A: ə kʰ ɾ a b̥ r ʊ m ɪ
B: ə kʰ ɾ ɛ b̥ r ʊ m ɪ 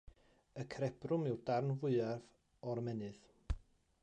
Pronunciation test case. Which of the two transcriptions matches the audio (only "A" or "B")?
B